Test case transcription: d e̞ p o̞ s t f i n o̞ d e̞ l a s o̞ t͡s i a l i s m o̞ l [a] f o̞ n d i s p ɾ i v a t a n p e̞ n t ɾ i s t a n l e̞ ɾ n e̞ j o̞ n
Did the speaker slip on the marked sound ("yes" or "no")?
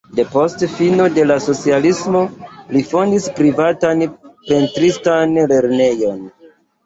yes